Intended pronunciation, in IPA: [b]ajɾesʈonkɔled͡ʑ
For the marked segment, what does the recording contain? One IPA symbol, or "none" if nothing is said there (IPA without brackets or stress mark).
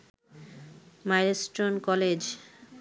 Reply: m